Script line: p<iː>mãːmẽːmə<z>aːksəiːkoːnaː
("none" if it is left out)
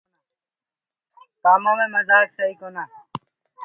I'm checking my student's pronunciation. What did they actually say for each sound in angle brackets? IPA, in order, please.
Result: aː, z

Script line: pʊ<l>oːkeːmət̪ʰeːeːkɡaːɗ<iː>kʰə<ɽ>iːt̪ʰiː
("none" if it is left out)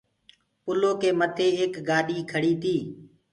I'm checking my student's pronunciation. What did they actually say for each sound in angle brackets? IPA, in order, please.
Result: l, iː, ɽ

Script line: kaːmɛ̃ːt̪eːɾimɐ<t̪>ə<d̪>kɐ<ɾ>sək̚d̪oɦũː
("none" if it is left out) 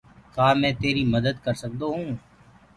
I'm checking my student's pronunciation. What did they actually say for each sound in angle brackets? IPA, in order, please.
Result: d̪, d̪, ɾ

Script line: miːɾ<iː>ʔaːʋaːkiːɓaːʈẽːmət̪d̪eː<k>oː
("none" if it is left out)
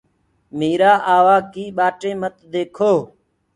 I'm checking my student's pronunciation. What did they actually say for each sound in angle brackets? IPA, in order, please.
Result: aː, kʰ

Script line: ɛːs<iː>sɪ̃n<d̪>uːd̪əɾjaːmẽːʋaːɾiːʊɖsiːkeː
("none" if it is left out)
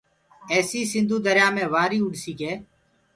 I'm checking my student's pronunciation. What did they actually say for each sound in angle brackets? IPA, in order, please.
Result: iː, d̪

